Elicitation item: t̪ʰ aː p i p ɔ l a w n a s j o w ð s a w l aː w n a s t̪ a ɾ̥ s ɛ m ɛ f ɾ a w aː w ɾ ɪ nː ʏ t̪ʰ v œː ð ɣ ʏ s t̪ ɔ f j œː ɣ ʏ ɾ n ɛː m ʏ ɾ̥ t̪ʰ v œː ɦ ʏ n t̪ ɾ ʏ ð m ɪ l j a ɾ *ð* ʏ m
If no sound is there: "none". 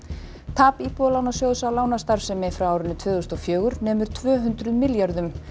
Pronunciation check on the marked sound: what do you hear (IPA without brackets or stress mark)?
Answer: ð